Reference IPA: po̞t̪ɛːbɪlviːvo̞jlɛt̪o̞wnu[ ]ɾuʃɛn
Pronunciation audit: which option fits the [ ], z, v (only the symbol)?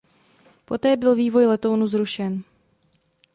z